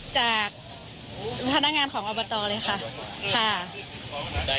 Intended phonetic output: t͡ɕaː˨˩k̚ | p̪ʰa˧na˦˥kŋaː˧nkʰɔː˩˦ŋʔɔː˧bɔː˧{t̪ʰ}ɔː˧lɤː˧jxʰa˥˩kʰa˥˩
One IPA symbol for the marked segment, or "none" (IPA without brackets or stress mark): t̪